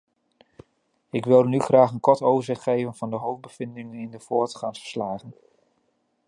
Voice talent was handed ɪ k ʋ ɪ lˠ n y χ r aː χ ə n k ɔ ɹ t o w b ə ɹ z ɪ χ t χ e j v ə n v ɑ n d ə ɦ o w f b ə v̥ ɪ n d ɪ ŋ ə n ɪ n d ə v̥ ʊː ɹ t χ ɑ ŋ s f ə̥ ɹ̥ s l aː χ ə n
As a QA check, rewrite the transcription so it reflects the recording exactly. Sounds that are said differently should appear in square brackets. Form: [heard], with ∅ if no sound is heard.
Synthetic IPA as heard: ɪ k ʋ ɪ lˠ n y χ r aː χ ə n k ɔ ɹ t o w [v] ə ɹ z ɪ χ t χ e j v ə n v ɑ n d ə ɦ o w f b ə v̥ ɪ n d ɪ ŋ ə n ɪ n d ə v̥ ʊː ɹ t χ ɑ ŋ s f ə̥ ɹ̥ s l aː χ ə n